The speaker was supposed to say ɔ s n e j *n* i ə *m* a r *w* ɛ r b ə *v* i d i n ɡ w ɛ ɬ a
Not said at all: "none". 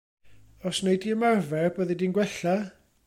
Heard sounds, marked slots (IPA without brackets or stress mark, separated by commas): d, m, v, ð